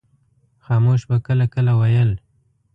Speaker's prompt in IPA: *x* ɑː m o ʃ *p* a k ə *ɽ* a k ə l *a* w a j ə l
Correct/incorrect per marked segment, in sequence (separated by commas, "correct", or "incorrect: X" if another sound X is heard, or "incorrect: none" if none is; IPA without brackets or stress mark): correct, incorrect: b, incorrect: l, correct